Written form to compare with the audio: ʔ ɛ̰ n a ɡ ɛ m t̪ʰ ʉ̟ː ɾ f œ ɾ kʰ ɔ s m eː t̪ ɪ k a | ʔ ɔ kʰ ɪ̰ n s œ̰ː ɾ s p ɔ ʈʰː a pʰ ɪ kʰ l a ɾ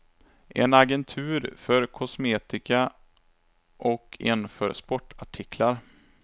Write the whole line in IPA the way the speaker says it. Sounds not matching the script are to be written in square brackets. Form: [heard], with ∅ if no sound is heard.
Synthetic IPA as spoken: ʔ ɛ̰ n a ɡ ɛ [n] t̪ʰ ʉ̟ː ɾ f œ ɾ kʰ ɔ s m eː t̪ ɪ k a | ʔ ɔ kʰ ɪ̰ n [f] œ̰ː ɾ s p ɔ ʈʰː a [ʈʰ] ɪ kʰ l a ɾ